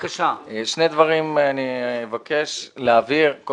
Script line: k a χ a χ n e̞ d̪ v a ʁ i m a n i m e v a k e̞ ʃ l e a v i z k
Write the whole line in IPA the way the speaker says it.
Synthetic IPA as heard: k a ʃ a ʃ n e̞ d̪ v a ʁ i m a n i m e v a k e̞ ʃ l e a v i ʁ k